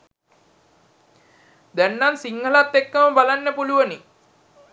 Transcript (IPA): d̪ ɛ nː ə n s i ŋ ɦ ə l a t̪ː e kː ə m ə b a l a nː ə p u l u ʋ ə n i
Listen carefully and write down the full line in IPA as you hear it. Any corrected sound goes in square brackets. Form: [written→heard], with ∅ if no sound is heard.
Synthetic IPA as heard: d̪ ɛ nː [ə→a] n s i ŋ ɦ ə l a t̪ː e kː ə m ə b a l a nː ə p u l u ʋ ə n i